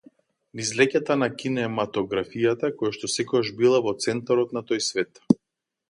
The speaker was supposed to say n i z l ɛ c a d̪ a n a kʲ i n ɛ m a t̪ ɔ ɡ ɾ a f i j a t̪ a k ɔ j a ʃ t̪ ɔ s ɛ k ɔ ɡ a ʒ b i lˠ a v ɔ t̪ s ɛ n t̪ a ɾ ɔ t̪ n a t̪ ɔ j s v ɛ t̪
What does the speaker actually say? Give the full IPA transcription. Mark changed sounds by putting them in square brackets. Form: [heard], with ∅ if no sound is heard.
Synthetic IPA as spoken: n i z l ɛ c a [t̪] a n a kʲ i n ɛ m a t̪ ɔ ɡ ɾ a f i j a t̪ a k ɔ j a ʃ t̪ ɔ s ɛ k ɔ ɡ a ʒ b i lˠ a v ɔ t̪ s ɛ n t̪ a ɾ ɔ t̪ n a t̪ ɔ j s v ɛ t̪